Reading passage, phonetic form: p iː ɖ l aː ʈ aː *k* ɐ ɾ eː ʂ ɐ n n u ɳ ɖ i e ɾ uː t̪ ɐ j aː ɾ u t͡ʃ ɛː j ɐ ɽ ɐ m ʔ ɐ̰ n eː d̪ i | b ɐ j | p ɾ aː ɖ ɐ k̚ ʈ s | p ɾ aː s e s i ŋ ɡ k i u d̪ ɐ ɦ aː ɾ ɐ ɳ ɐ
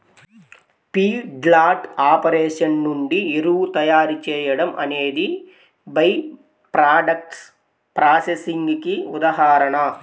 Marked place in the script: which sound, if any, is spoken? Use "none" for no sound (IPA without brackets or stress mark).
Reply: p